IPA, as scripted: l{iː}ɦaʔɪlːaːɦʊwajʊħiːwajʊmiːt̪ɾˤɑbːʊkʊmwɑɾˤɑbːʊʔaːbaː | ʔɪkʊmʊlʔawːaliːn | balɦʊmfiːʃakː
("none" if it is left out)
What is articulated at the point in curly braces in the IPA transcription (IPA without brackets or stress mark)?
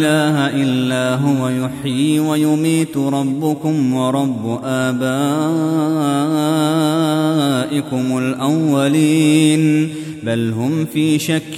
aː